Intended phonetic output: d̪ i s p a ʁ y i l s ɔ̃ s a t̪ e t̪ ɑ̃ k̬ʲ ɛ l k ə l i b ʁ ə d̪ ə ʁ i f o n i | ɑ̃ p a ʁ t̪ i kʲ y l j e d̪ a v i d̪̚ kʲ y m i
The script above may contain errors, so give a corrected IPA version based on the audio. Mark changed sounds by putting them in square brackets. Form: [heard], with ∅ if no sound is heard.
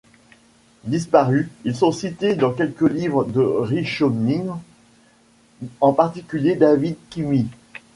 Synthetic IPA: d̪ i s p a ʁ y i l s ɔ̃ s [i] t̪ e [d̪] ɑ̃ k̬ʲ ɛ l k ə l i [v] ʁ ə d̪ ə ʁ i [ʃ] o n i | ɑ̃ p a ʁ t̪ i kʲ y l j e d̪ a v i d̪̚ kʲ [i] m i